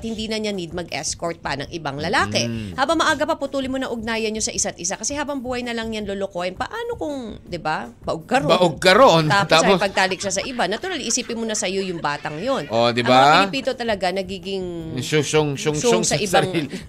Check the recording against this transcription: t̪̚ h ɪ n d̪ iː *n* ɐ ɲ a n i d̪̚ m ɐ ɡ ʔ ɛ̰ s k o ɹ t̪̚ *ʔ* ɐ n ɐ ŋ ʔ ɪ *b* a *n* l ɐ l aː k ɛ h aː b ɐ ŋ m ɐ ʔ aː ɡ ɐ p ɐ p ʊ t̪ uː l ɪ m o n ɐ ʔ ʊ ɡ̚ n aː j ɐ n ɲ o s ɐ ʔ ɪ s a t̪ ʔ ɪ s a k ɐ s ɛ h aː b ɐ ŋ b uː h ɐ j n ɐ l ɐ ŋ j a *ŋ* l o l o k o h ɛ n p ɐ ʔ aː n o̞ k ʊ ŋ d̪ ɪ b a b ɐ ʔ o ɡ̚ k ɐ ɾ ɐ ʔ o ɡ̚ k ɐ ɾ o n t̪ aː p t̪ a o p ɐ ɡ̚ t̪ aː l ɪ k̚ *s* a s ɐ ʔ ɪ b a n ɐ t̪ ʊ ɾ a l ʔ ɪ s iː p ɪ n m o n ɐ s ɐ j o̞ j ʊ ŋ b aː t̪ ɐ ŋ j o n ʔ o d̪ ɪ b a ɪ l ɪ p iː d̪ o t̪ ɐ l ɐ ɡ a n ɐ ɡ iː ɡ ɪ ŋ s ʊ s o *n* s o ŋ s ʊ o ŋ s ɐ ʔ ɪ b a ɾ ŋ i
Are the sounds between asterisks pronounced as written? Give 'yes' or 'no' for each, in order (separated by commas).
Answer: yes, no, yes, no, no, no, no